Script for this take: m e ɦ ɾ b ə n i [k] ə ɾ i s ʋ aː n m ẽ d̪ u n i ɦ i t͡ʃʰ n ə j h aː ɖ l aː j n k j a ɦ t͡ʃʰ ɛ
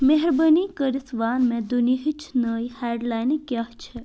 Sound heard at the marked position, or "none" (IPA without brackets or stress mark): k